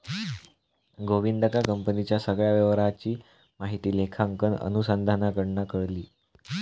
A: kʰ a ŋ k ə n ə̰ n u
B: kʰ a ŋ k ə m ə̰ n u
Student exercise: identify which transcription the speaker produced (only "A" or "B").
A